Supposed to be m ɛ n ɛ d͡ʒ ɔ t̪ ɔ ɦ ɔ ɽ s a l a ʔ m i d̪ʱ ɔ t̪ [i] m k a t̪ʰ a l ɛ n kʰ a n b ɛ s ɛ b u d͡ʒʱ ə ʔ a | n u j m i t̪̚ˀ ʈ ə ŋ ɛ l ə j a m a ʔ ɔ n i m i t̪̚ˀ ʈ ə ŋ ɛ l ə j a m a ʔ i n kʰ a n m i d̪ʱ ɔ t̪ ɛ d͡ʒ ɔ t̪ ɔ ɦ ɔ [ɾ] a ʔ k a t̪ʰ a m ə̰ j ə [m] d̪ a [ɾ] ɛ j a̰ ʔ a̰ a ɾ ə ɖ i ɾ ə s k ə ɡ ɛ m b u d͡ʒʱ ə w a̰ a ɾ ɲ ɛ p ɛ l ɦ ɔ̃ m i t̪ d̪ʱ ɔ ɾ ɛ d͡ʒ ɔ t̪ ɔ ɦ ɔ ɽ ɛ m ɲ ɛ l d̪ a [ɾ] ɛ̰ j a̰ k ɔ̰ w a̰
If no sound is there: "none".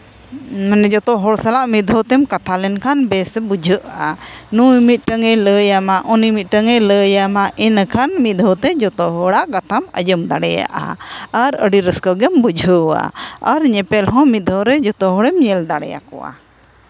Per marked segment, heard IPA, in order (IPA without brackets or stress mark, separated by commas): ɛ, ɽ, m, ɽ, ɽ